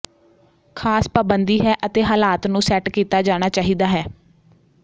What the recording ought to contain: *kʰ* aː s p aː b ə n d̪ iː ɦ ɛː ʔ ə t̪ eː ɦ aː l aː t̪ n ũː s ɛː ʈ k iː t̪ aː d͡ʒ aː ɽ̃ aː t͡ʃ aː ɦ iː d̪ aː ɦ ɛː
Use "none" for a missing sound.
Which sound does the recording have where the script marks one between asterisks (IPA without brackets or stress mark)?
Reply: kʰ